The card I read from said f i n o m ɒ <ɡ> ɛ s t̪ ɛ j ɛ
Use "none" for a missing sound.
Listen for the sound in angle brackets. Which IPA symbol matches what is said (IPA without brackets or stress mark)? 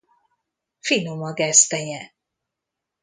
ɡ